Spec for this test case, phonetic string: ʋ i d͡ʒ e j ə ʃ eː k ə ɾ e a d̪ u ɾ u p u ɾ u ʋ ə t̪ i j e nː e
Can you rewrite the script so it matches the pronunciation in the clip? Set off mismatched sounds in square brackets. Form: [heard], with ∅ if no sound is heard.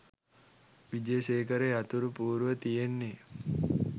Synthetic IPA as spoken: ʋ i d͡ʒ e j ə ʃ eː k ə ɾ e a [t̪] u ɾ u p [uː] ɾ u ʋ ə t̪ i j e nː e